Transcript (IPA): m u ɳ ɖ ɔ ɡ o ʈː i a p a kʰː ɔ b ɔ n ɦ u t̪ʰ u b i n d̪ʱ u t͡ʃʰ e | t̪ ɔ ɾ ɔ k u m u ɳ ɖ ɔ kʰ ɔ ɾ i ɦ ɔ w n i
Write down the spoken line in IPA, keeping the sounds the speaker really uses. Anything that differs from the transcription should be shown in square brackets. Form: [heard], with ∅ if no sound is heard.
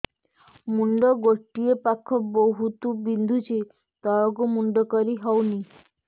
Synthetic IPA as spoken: m u ɳ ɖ ɔ ɡ o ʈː i [e] p a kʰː ɔ b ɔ [∅] ɦ u [t̪] u b i n d̪ʱ u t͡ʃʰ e | t̪ ɔ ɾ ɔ k u m u ɳ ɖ ɔ [k] ɔ ɾ i ɦ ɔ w n i